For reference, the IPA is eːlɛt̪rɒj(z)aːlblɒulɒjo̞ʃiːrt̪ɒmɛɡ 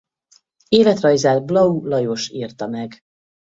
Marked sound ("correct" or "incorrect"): correct